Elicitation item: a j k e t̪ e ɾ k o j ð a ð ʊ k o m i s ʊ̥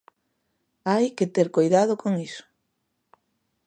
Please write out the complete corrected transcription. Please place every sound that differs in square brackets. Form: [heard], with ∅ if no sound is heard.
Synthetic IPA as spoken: a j k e t̪ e ɾ k o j ð a ð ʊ k o [ŋ] i s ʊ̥